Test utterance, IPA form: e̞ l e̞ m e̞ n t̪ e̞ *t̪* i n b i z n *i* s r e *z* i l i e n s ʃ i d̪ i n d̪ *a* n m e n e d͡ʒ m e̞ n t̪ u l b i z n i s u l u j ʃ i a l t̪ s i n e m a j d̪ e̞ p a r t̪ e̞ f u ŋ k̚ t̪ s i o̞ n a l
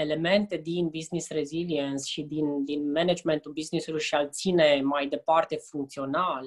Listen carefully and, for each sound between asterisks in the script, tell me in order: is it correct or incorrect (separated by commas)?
incorrect, correct, correct, incorrect